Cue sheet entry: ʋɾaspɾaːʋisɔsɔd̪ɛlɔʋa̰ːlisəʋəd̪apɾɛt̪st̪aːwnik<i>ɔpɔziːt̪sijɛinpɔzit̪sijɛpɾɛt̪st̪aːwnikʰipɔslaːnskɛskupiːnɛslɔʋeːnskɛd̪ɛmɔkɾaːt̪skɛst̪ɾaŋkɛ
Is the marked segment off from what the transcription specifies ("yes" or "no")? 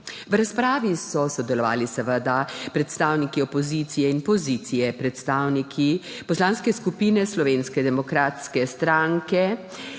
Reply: no